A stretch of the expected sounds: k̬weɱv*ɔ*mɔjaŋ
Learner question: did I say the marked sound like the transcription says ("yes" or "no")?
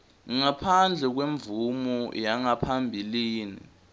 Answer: no